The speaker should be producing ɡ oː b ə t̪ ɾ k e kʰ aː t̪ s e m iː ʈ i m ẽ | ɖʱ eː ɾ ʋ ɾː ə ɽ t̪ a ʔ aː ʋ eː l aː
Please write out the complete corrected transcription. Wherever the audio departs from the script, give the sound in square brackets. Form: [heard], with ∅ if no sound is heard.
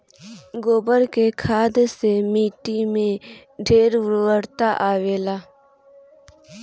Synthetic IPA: ɡ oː b ə [∅] ɾ k e kʰ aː [d̪] s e m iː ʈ i m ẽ | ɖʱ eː ɾ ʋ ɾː ə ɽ t̪ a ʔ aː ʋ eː l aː